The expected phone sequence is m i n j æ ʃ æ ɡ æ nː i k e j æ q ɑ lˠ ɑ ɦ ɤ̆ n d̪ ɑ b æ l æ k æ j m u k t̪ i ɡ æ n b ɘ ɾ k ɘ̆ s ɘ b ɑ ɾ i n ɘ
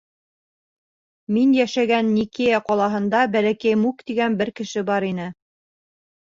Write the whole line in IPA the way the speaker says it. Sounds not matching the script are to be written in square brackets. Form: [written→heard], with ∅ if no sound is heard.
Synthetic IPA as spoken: m i n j æ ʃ æ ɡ æ nː i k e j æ q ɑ lˠ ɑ ɦ ɤ̆ n d̪ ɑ b æ l æ k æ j m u k t̪ i ɡ æ n b ɘ ɾ k ɘ̆ [s→ʃ] ɘ b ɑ ɾ i n ɘ